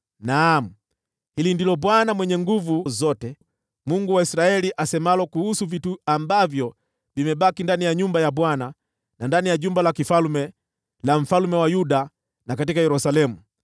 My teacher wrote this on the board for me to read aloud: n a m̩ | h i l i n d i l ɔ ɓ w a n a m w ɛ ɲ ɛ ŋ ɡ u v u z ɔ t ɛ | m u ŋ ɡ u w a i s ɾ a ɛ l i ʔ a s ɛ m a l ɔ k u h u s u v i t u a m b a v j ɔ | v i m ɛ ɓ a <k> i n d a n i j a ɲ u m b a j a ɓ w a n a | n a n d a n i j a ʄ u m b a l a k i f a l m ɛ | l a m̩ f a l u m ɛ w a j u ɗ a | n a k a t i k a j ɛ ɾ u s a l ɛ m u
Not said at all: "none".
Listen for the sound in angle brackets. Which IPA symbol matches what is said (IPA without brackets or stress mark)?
k